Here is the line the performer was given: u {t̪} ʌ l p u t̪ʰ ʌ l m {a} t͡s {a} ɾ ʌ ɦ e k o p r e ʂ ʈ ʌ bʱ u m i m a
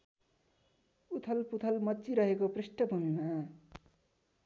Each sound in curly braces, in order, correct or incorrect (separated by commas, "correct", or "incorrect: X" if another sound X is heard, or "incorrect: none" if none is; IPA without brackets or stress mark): incorrect: t̪ʰ, incorrect: ʌ, incorrect: i